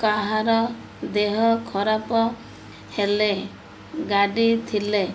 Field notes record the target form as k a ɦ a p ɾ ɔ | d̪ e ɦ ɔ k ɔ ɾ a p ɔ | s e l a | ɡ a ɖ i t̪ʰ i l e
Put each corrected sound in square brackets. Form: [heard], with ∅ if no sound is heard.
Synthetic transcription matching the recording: k a ɦ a [∅] ɾ ɔ | d̪ e ɦ ɔ [kʰ] ɔ ɾ a p ɔ | [h] e l [e] | ɡ a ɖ i t̪ʰ i l e